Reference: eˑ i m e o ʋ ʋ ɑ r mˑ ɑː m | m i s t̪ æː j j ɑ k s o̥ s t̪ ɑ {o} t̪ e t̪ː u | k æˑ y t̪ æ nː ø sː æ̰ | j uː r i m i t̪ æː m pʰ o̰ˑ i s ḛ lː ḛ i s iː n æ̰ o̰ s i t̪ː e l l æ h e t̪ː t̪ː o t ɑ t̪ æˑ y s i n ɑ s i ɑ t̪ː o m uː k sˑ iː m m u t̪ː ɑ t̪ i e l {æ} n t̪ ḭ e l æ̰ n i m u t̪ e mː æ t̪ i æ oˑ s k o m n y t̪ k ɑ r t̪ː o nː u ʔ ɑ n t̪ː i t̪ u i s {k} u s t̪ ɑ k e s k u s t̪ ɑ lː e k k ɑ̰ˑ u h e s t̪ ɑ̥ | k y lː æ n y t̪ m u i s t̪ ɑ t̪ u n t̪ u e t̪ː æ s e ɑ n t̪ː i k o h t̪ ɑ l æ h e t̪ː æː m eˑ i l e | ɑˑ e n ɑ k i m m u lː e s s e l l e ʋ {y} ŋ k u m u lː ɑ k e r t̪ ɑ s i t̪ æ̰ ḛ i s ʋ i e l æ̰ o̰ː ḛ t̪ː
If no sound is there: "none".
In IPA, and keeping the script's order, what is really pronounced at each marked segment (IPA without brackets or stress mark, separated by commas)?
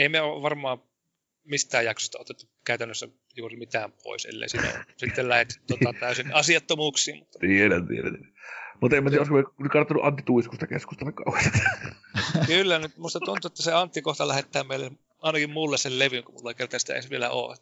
o, æ, k, y